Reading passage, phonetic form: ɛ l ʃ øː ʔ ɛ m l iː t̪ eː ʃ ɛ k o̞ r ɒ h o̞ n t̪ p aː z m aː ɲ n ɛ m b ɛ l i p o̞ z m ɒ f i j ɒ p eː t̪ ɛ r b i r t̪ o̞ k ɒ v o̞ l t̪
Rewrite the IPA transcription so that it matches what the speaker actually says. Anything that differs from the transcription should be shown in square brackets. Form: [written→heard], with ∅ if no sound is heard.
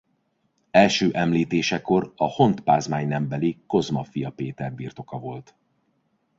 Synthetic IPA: ɛ l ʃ øː ʔ ɛ m l iː t̪ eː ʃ ɛ k o̞ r ɒ h o̞ n t̪ p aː z m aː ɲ n ɛ m b ɛ l i [p→k] o̞ z m ɒ f i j ɒ p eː t̪ ɛ r b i r t̪ o̞ k ɒ v o̞ l t̪